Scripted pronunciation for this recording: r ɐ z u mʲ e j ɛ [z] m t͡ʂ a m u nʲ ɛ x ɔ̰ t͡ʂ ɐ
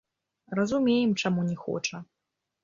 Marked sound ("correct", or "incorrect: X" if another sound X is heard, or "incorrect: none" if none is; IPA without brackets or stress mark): incorrect: none